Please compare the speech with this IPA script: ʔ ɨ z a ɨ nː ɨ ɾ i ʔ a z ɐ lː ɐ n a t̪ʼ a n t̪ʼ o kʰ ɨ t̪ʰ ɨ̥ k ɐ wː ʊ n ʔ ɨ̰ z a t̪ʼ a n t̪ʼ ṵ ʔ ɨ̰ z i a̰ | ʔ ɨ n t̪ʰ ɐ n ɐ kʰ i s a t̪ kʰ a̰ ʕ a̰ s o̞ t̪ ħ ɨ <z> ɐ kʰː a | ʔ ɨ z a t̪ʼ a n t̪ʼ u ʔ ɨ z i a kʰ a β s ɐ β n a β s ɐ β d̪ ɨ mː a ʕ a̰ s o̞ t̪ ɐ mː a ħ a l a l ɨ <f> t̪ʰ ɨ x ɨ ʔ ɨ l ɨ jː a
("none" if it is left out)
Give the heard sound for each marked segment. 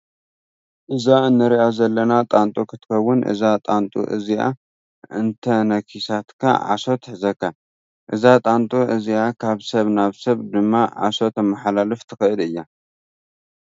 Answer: z, f

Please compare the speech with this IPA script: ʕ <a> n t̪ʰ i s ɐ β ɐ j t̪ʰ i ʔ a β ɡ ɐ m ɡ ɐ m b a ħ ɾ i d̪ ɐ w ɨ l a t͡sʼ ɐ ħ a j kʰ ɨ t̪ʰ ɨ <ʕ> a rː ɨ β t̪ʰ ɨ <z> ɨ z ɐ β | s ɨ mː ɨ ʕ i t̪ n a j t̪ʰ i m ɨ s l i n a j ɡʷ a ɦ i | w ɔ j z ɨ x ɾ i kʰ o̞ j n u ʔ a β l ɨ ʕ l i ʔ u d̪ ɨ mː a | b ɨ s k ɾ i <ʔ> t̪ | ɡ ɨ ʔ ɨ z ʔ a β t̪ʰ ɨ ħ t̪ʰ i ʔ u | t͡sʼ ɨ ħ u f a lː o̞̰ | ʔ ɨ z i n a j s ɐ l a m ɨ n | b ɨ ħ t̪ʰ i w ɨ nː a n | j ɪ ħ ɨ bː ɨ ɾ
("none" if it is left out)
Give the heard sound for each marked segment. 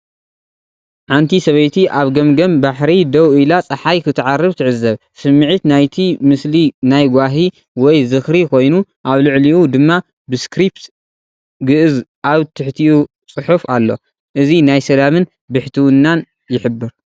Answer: a, ʕ, ʕ, p

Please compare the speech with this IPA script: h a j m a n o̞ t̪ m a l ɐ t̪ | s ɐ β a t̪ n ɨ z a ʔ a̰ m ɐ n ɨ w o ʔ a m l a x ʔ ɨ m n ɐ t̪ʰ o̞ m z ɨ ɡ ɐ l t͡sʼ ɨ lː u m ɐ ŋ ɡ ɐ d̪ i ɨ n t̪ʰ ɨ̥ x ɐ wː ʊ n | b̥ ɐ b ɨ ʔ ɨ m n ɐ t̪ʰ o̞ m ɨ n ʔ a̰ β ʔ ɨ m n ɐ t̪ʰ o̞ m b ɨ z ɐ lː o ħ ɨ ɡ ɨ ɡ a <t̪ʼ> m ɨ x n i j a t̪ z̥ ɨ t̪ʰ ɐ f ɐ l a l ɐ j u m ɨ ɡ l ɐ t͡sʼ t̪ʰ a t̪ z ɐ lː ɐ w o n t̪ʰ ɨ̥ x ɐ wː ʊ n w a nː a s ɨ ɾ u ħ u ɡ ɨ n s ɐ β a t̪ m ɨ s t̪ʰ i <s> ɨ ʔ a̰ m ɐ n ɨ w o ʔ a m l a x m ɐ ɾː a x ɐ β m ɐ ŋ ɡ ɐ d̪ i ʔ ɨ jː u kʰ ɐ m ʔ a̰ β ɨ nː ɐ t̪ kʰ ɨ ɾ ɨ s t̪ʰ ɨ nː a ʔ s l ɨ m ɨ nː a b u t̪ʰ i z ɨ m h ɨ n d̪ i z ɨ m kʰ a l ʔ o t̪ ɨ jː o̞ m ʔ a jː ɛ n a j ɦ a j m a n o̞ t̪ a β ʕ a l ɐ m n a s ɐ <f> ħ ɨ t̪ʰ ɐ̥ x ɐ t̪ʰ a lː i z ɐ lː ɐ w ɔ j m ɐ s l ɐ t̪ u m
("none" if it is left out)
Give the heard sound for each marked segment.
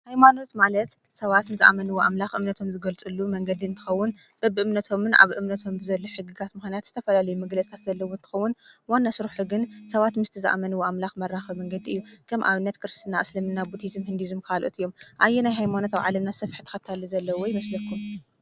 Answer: t̪, z, f

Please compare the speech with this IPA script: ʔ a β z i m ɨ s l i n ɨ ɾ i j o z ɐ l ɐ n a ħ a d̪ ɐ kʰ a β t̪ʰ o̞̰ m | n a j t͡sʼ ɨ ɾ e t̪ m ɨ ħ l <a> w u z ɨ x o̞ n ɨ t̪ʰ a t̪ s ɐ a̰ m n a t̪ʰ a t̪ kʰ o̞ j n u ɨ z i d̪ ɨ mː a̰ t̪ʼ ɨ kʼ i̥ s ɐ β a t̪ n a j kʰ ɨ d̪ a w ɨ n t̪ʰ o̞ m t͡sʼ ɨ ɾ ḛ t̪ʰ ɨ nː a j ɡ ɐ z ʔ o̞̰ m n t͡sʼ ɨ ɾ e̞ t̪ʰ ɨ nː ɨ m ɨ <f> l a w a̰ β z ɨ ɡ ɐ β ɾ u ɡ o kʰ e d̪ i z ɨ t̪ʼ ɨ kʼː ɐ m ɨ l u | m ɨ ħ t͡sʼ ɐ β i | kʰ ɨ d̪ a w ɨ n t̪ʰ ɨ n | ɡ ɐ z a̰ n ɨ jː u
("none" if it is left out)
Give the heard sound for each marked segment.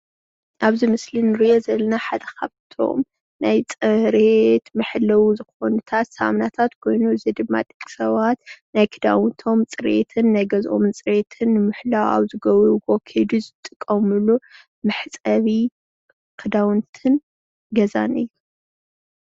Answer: ɐ, ħ

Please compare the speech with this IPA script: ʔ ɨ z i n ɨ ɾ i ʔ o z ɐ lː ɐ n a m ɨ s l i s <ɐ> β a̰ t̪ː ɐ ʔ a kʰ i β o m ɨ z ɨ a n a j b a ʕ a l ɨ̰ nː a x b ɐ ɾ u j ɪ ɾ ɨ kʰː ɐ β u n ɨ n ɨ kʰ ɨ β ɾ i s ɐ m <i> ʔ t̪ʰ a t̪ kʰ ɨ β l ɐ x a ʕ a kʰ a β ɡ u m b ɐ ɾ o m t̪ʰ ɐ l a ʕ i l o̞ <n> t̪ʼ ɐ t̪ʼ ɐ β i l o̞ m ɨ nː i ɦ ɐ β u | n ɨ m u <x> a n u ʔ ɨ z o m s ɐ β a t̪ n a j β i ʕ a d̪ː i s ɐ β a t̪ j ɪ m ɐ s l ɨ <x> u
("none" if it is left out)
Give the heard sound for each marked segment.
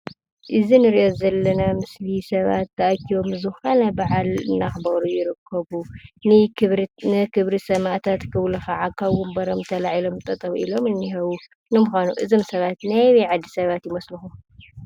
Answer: ɐ, a, m, x, x

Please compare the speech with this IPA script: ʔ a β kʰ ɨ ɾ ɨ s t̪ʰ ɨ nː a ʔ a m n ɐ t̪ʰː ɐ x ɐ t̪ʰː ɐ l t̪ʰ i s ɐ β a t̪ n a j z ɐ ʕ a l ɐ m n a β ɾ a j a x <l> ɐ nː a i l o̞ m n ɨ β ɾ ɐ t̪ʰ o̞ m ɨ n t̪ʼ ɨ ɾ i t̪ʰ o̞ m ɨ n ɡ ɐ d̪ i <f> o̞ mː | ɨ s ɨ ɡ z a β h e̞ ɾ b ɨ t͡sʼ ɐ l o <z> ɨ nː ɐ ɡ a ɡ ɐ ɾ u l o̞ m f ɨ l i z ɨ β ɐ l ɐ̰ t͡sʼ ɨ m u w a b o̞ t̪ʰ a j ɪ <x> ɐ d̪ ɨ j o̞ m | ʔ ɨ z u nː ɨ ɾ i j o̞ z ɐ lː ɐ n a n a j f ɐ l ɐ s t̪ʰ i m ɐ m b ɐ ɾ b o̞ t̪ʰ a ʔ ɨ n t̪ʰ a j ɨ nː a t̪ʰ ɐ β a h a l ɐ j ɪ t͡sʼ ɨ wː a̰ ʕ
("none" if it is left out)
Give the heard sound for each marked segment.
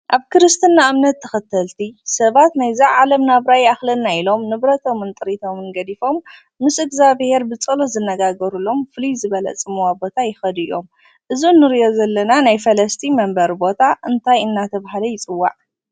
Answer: l, f, z, x

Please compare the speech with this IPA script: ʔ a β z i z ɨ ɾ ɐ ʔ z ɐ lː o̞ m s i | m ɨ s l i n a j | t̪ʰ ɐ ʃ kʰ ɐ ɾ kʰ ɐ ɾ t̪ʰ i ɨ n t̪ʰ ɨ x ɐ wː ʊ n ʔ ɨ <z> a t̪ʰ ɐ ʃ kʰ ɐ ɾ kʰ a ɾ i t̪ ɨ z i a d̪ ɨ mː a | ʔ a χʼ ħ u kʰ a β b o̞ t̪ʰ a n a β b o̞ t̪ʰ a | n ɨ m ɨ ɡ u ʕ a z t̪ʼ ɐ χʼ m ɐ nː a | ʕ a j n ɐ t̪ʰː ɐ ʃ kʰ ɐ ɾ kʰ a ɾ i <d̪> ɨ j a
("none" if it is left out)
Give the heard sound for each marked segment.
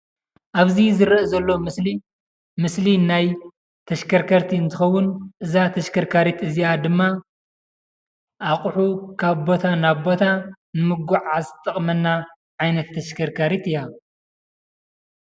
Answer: z, t̪

